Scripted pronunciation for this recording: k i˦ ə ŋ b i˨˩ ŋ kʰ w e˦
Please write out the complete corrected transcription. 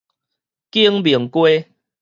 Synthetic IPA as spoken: k i˦ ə ŋ b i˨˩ ŋ k w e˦

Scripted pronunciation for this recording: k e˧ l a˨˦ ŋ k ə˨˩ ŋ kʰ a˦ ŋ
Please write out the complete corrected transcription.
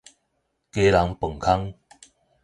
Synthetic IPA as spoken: k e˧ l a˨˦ ŋ p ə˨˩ ŋ kʰ a˦ ŋ

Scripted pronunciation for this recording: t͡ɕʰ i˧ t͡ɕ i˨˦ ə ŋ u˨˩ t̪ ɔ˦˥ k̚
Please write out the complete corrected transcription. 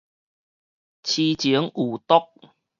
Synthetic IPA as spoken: t͡ɕʰ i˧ t͡ɕ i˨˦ ə ŋ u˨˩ t̪ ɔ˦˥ k̚

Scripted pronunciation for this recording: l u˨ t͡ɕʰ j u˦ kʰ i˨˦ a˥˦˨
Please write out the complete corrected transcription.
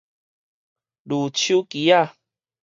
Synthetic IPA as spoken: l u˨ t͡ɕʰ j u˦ k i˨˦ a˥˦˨

